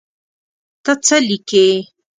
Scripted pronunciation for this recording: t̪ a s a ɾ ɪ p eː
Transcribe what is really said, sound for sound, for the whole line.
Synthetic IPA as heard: t̪ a t͡s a l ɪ k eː